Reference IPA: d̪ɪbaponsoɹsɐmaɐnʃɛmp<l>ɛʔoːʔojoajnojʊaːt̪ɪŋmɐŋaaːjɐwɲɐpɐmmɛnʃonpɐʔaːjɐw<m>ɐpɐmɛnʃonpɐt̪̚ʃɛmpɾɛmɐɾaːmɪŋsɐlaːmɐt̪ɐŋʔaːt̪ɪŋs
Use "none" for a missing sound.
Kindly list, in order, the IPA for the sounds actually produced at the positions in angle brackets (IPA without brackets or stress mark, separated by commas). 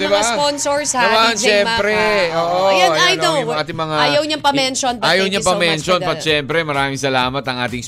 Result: ɾ, ɲ